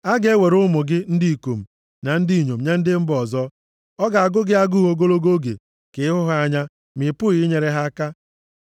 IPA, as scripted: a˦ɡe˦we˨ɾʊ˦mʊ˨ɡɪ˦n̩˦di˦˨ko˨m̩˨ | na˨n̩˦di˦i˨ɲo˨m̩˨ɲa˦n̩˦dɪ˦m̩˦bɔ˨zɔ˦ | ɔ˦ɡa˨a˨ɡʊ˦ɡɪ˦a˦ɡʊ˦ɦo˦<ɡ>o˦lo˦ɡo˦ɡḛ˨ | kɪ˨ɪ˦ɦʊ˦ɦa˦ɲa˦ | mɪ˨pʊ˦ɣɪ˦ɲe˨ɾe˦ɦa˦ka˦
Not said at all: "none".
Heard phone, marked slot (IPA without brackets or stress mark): ɡ